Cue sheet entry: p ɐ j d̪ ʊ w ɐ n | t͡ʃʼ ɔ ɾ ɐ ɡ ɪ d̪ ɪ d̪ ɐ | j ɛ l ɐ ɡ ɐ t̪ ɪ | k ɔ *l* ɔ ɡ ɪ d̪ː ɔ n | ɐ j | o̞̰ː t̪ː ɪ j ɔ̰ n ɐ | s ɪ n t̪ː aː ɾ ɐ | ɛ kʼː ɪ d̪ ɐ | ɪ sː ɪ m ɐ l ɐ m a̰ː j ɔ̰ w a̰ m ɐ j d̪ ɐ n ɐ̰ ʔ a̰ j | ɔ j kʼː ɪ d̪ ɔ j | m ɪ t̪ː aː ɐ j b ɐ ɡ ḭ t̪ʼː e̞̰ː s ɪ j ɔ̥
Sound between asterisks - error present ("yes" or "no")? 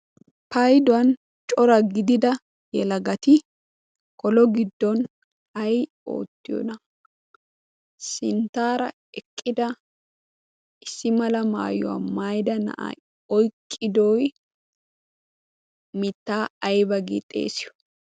no